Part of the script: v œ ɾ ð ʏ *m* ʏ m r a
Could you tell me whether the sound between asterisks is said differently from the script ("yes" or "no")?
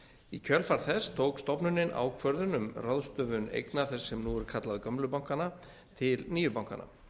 yes